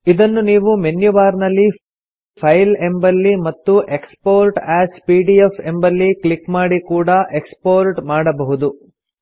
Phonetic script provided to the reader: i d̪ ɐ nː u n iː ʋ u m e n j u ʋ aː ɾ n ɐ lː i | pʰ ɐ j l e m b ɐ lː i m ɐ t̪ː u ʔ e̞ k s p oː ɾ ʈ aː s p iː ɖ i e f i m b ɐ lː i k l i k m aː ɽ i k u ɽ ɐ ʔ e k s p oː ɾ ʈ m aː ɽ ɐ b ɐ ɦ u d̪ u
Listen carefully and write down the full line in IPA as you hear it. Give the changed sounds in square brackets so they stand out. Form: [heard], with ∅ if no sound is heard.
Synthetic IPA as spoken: i d̪ ɐ nː u n iː ʋ u m e n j u ʋ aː ɾ n ɐ lː i | pʰ ɐ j l e m b ɐ lː i m ɐ t̪ː u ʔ e̞ k s p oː ɾ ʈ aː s p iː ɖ i e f [e] m b ɐ lː i k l i k m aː ɽ i k [uː] ɽ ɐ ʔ e k s p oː ɾ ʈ m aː ɽ ɐ b ɐ ɦ u d̪ u